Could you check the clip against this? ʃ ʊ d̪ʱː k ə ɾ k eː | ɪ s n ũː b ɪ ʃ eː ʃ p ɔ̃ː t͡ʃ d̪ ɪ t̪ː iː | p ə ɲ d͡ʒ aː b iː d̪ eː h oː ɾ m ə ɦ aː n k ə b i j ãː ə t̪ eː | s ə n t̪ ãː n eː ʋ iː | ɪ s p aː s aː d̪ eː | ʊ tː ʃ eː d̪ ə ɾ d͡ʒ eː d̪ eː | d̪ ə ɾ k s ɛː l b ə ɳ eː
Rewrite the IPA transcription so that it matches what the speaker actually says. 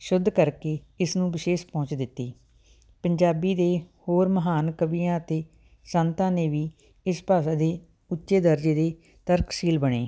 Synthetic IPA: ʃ ʊ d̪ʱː k ə ɾ k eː | ɪ s n ũː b ɪ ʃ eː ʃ p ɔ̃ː t͡ʃ d̪ ɪ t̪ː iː | p ə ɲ d͡ʒ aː b iː d̪ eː h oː ɾ m ə ɦ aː n k ə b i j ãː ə t̪ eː | s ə n t̪ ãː n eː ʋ iː | ɪ s p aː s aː d̪ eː | ʊ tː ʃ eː d̪ ə ɾ d͡ʒ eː d̪ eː | t̪ ə ɾ k s iː l b ə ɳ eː